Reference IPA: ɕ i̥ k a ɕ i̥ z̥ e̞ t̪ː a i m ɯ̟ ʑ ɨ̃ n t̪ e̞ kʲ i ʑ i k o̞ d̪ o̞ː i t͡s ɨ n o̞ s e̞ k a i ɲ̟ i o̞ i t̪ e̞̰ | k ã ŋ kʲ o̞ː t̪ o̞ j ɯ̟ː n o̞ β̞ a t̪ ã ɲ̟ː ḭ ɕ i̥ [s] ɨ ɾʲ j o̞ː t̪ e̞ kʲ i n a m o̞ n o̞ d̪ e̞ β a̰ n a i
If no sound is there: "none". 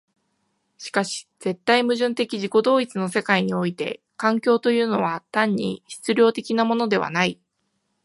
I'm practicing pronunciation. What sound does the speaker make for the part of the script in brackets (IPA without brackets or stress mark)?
t͡s